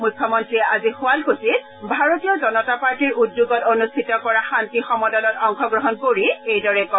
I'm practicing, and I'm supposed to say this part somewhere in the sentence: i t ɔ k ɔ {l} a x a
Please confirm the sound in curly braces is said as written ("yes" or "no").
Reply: no